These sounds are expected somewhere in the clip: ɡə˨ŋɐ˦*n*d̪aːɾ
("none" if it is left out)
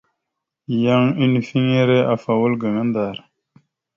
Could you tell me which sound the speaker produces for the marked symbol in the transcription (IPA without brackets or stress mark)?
n